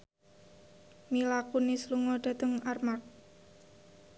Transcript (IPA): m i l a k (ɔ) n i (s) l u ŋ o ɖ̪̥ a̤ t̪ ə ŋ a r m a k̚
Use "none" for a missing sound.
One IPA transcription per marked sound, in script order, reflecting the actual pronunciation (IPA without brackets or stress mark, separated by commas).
u, s